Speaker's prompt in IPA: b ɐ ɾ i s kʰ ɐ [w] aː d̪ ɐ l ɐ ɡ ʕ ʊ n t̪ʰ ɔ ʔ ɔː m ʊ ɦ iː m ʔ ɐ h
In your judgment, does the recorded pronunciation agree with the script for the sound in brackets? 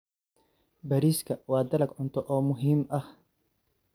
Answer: yes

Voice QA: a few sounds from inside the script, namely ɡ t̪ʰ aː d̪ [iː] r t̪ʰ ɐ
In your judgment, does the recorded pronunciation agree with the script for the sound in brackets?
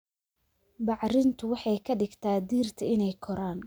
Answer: yes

